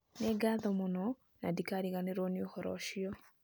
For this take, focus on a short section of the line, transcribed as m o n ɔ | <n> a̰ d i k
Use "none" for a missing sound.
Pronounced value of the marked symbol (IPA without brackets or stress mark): n